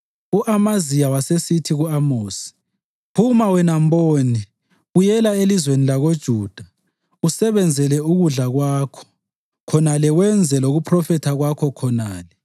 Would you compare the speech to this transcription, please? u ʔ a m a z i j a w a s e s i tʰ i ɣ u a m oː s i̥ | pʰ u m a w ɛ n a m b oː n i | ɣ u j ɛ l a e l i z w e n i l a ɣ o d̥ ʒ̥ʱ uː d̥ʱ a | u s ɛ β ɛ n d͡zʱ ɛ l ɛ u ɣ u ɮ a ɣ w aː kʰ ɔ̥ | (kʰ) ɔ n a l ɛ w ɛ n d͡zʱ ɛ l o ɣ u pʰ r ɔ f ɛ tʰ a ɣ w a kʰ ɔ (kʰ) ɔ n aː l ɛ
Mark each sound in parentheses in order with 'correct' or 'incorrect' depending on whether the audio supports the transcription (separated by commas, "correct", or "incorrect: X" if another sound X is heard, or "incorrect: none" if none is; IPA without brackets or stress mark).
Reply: correct, correct